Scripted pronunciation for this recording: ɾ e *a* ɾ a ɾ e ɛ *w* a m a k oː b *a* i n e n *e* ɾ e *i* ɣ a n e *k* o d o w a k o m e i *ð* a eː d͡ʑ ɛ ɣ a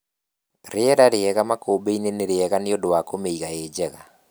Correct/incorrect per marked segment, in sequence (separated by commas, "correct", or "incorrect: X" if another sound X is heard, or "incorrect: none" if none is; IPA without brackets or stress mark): incorrect: ɛ, incorrect: ɣ, incorrect: e, correct, incorrect: ɛ, incorrect: none, incorrect: ɣ